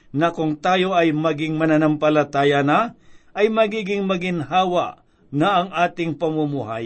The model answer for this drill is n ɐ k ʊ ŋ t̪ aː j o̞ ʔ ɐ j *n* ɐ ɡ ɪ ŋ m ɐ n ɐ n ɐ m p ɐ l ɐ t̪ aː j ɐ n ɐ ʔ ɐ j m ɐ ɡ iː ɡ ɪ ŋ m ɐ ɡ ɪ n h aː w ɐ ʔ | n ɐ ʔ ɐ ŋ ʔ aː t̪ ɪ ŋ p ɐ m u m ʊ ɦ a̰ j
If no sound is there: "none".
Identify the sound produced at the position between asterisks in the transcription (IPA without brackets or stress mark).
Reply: m